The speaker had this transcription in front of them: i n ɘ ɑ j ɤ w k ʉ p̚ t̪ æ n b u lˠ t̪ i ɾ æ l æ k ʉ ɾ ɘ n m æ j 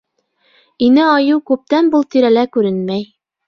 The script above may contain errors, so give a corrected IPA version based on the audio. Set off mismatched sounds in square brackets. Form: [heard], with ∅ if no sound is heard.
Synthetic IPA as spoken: i n ɘ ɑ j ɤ w k ʉ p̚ t̪ æ n b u lˠ t̪ i ɾ æ l æ k ʉ ɾ ɘ n m æ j